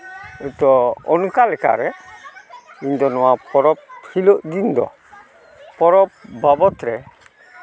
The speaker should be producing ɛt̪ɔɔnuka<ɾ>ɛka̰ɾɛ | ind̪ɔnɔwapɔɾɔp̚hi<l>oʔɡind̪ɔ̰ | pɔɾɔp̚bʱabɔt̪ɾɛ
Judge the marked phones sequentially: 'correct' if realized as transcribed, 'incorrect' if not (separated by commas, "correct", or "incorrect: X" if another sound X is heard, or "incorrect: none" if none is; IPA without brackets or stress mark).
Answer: incorrect: l, correct